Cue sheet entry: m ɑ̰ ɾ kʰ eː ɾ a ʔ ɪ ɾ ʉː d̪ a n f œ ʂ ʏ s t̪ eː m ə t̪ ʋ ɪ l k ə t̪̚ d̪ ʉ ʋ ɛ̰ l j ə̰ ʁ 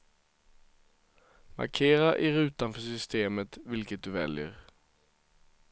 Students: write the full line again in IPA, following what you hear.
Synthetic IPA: m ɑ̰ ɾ kʰ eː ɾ a ʔ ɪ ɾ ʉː t̪ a n f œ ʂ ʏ s t̪ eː m ə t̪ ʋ ɪ l k ə t̪̚ d̪ ʉ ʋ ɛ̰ l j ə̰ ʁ